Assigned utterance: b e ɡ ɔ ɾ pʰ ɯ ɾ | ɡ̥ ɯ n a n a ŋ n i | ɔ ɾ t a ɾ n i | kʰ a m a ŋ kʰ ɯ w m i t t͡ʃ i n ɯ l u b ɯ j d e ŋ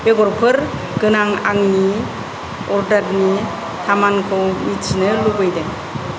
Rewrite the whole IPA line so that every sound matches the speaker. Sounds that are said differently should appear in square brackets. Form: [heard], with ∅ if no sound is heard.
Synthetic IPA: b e ɡ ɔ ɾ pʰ ɯ ɾ | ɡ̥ ɯ n a [ŋ] a ŋ n i | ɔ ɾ [d] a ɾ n i | [tʰ] a m a [n] kʰ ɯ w m i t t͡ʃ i n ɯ l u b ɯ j d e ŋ